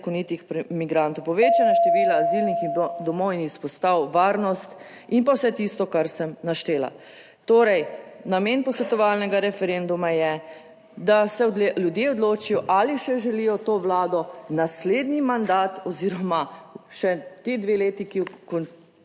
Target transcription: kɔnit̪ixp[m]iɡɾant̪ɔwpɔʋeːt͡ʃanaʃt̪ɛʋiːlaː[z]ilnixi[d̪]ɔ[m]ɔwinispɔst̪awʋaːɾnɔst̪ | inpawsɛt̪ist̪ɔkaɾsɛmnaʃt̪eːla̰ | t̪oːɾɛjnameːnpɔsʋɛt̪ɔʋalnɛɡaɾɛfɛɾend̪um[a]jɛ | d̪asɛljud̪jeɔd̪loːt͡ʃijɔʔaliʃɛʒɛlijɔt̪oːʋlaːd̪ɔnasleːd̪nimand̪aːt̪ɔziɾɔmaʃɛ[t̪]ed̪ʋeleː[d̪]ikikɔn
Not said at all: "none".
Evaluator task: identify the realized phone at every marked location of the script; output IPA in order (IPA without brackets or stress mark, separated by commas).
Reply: m, z, d̪, m, a, t̪, t̪